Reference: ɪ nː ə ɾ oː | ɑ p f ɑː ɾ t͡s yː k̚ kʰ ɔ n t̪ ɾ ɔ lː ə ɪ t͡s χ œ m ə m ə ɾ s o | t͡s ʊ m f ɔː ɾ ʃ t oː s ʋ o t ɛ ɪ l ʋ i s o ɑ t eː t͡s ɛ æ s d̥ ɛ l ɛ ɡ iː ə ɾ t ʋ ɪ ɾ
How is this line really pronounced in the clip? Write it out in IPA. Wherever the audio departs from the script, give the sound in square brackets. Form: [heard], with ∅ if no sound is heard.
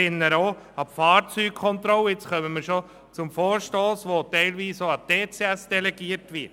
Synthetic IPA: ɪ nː ə ɾ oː | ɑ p f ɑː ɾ t͡s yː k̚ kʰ ɔ n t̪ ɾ ɔ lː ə ɪ t͡s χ œ m ə m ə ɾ [ʃ] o | t͡s ʊ m f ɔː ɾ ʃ t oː s ʋ o t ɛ ɪ l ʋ [iː] s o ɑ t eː t͡s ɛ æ s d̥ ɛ l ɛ ɡ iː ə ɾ t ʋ ɪ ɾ